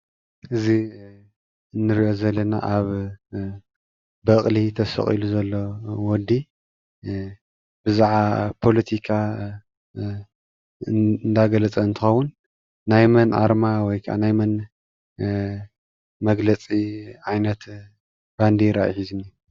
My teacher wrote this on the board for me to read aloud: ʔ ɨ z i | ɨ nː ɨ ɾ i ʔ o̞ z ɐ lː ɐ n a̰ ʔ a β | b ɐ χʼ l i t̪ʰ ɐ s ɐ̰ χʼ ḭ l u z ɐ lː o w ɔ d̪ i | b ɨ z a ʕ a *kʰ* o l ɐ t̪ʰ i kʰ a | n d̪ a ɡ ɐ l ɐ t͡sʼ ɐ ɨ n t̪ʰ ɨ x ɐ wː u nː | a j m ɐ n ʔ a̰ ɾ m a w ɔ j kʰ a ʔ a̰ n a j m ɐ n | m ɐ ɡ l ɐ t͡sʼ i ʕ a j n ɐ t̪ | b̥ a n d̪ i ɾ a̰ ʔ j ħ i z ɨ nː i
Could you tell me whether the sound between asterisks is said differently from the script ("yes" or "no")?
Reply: yes